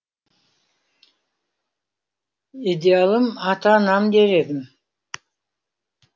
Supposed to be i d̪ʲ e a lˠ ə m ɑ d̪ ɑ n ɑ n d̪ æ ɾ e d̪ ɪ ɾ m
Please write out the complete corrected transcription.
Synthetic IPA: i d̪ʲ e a lˠ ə m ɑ t̪ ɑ n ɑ m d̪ e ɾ e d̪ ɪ m